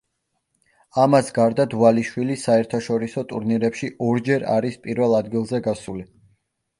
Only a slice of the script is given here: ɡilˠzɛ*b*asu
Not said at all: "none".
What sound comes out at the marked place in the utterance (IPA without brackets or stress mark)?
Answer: ɡ